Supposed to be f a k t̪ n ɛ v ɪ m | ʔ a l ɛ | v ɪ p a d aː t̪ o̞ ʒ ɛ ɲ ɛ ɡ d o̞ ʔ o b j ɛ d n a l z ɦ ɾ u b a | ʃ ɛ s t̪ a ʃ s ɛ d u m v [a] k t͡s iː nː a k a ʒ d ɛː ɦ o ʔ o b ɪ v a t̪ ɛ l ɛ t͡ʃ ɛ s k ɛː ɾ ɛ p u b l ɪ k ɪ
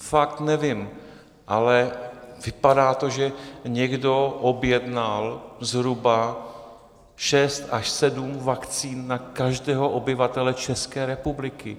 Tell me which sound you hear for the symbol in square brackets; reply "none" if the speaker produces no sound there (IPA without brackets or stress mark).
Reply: a